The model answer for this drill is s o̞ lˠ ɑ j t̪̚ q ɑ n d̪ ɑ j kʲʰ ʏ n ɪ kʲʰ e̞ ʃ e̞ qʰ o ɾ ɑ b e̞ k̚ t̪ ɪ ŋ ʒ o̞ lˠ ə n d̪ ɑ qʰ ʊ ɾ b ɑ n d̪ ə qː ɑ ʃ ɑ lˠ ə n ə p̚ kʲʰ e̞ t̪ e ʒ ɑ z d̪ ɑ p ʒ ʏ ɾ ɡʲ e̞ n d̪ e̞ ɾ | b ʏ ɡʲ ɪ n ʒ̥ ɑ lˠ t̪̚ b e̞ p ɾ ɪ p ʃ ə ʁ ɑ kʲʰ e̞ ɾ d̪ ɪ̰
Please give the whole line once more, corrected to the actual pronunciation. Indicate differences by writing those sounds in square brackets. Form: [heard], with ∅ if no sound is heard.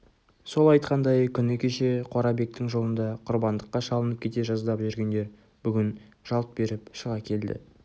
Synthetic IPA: s o̞ lˠ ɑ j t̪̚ q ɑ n d̪ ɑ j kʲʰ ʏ n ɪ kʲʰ e̞ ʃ e̞ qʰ o ɾ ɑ b e̞ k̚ t̪ ɪ ŋ ʒ o̞ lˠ ə n d̪ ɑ qʰ ʊ ɾ b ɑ n d̪ ə qː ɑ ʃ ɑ lˠ ə n ə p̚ kʲʰ e̞ t̪ e ʒ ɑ z d̪ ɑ p ʒ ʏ ɾ ɡʲ e̞ n d̪ e̞ ɾ | b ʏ ɡʲ ɪ n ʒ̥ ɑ lˠ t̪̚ b e̞ [∅] ɾ ɪ p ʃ ə ʁ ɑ kʲʰ e̞ [l] d̪ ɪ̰